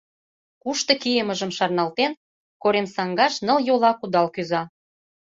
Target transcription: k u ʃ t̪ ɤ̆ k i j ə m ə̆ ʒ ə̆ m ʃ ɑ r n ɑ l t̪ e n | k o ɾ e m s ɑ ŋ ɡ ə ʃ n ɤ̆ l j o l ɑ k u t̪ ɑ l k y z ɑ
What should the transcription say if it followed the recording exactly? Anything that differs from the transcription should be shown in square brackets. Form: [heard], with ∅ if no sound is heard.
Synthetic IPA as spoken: k u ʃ t̪ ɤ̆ k i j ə m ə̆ ʒ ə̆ m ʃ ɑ r n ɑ l t̪ e n | k o ɾ e m s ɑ ŋ ɡ [ɑ] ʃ n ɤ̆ l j o l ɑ k u [d̪] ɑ l k y z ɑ